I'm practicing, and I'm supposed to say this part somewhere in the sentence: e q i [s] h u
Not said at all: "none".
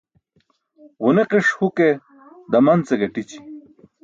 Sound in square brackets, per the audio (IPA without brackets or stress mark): ʂ